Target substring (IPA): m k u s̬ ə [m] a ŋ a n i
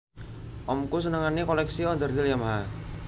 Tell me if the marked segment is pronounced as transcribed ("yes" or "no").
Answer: no